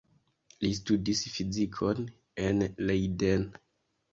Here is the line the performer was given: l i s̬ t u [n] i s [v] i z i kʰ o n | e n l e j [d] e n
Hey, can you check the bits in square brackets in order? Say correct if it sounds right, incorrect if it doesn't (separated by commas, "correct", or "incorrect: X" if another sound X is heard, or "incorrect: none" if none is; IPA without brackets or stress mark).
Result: incorrect: d, incorrect: f, correct